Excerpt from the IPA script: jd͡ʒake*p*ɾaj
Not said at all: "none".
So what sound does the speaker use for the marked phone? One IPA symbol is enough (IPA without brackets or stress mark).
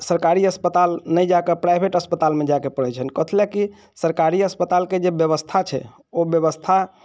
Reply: p